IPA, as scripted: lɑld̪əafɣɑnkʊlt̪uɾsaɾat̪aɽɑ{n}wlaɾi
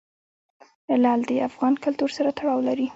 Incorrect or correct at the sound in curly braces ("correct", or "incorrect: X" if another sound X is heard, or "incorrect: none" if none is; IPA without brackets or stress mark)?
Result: incorrect: none